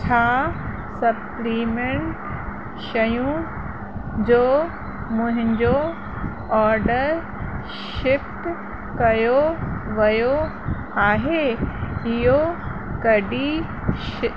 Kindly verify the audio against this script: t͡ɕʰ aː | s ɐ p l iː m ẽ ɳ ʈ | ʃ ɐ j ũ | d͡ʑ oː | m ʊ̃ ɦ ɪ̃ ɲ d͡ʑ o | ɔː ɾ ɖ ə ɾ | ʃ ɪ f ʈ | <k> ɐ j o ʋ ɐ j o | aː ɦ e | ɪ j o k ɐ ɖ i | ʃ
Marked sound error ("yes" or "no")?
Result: no